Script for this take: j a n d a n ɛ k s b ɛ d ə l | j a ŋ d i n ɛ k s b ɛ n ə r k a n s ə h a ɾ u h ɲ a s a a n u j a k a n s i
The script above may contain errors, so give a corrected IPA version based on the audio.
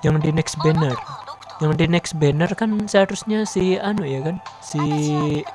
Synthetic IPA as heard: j a ŋ d i n ɛ k s b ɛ n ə r | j a ŋ d i n ɛ k s b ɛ n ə r k a n s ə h a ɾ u s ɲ a s i a n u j a k a n s i